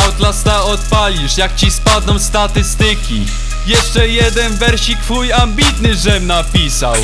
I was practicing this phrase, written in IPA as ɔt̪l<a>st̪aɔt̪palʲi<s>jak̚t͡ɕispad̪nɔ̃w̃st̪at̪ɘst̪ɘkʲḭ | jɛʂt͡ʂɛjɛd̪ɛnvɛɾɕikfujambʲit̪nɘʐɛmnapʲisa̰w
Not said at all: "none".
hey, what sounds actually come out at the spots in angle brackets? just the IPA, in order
a, ʂ

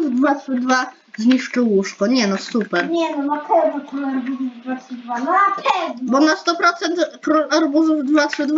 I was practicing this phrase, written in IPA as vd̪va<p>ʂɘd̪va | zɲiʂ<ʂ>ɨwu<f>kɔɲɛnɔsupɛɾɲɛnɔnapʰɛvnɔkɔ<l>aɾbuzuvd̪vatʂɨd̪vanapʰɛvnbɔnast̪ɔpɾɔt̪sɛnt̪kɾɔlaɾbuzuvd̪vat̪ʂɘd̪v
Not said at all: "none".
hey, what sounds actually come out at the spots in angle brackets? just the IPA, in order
t, t͡ʂ, ʂ, l

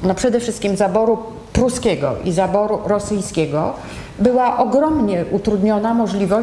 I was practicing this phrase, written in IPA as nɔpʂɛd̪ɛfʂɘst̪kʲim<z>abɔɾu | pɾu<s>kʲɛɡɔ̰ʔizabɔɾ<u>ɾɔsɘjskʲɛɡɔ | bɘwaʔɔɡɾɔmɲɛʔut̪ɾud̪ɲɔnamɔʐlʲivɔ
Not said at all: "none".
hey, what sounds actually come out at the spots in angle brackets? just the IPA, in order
z, s, u

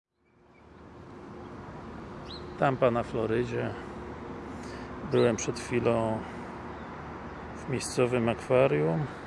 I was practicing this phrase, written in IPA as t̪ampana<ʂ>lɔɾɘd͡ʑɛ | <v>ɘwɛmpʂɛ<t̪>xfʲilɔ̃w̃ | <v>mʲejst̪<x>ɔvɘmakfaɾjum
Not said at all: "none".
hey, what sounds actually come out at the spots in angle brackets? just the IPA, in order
f, b, t̪, v, s

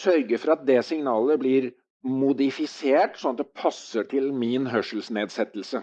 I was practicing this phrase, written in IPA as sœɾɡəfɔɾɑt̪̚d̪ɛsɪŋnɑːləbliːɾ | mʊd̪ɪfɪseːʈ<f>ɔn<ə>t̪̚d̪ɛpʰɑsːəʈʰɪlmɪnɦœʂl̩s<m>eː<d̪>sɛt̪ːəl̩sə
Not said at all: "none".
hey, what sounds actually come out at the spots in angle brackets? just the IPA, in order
s, ɑ, n, d̪

